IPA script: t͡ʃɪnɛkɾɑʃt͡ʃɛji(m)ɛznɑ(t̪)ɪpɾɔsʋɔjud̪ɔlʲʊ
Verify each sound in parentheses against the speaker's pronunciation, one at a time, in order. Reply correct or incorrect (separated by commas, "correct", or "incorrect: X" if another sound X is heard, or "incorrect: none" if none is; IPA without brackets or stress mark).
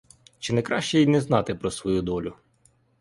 incorrect: n, correct